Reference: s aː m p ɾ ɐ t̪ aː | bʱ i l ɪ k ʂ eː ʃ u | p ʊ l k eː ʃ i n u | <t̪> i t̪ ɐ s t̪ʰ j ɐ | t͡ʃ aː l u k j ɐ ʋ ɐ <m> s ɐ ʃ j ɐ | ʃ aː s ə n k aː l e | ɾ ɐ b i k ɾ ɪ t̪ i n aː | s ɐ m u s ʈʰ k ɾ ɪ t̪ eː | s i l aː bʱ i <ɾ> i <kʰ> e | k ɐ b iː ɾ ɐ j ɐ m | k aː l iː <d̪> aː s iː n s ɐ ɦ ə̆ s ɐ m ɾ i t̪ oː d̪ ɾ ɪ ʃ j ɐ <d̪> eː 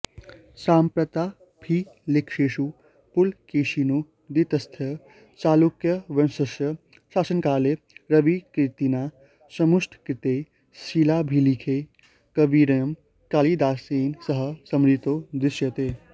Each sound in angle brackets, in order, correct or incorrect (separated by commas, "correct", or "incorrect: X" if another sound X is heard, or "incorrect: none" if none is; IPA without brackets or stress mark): incorrect: d̪, incorrect: n, incorrect: l, correct, correct, incorrect: t̪